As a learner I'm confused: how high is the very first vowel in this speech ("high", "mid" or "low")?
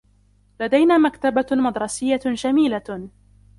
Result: low